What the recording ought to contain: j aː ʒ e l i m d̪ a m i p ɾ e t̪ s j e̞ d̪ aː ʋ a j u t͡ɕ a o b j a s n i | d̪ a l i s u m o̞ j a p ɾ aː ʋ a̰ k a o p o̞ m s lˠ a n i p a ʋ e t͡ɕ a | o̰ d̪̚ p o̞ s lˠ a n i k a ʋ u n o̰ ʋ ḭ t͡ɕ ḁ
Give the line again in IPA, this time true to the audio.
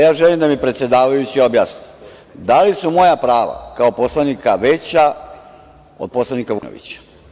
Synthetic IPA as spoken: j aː ʒ e l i m d̪ a m i p ɾ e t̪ s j e̞ d̪ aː ʋ a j u t͡ɕ i o b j a s n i | d̪ a l i s u m o̞ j a p ɾ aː ʋ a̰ k a o p o̞ s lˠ a n i k a ʋ e t͡ɕ a | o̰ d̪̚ p o̞ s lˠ a n i k a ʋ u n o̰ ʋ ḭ t͡ɕ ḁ